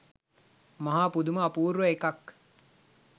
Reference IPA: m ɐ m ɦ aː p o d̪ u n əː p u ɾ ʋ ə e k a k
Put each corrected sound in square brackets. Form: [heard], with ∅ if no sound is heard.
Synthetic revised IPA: m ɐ [∅] ɦ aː p [u] d̪ u [m] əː p [uː] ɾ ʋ ə e k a k